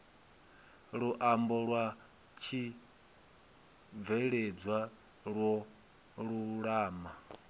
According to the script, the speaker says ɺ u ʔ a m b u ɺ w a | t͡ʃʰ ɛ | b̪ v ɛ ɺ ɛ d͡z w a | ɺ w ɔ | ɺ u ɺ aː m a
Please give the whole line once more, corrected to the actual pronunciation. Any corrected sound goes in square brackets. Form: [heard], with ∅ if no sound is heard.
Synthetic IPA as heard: ɺ u ʔ a m b [ɔ] ɺ w a | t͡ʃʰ [i] | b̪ v ɛ ɺ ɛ d͡z w a | ɺ w ɔ | ɺ u ɺ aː m a